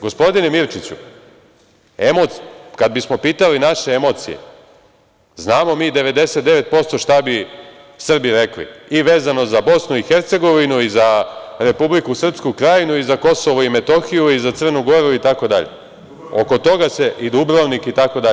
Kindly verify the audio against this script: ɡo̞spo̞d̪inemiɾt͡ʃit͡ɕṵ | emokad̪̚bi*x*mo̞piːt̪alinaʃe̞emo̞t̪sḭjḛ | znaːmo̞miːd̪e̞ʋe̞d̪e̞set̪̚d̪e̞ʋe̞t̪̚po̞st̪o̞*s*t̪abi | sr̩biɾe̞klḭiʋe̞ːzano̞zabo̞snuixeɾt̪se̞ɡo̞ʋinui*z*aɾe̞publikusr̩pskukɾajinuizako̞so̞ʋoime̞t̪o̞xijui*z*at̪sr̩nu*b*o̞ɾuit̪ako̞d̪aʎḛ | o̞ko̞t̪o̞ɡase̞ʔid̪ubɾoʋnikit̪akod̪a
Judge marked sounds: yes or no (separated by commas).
no, no, yes, yes, no